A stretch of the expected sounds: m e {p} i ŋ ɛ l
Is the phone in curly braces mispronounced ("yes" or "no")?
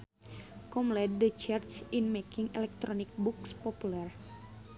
yes